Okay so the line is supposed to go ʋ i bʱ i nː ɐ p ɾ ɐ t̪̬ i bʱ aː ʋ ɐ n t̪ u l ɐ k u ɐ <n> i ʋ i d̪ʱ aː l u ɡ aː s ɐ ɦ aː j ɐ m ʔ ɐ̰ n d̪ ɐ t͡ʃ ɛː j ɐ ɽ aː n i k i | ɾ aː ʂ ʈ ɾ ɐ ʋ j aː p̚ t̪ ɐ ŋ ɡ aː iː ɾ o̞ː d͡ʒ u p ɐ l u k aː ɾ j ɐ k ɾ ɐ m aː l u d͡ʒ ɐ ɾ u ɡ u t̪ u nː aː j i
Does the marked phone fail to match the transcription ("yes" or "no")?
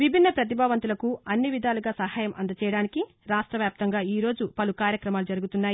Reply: yes